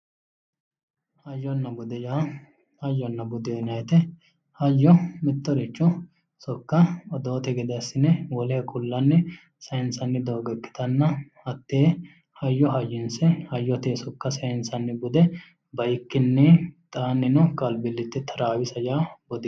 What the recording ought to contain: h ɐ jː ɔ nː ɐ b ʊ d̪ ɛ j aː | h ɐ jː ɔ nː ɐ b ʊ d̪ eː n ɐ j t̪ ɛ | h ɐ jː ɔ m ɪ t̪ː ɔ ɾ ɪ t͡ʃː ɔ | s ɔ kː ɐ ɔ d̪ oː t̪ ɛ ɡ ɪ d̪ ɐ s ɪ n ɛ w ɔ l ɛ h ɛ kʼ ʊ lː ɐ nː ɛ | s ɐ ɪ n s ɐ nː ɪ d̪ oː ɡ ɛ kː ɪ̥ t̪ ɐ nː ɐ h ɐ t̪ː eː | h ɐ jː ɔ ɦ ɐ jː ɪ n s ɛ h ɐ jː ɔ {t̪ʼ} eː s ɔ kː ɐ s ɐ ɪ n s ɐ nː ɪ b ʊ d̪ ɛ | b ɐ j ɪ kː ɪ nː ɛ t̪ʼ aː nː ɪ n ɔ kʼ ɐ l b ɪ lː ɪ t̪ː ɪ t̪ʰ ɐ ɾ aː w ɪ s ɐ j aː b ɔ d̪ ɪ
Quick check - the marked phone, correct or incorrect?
incorrect